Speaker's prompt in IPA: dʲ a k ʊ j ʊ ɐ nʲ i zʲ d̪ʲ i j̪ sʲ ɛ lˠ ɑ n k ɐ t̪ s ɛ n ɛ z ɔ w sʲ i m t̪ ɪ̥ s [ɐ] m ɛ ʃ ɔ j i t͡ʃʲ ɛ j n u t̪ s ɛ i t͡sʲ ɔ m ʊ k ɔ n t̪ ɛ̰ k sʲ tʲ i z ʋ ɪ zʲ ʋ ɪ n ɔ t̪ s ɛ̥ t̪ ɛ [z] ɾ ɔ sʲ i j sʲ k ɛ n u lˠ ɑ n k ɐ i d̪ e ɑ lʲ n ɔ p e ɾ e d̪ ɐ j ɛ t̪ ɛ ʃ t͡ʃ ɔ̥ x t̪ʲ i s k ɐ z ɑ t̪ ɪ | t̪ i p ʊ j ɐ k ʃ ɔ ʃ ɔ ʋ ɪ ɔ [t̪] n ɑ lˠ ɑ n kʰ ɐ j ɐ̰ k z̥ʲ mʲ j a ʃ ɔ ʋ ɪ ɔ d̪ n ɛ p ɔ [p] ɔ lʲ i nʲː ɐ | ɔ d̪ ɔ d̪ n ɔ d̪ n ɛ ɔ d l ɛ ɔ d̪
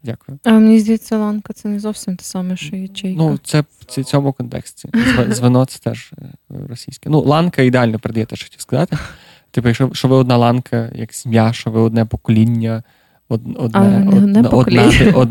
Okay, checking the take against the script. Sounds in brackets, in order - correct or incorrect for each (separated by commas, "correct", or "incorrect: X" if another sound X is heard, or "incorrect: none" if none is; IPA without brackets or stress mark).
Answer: incorrect: ɑ, incorrect: ʒ, incorrect: d̪, incorrect: k